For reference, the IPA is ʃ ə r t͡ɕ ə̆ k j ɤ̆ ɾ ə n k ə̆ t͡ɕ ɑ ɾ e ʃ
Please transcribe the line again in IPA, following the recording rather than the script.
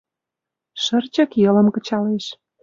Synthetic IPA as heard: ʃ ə r t͡ɕ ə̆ k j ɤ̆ l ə m k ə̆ t͡ɕ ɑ l e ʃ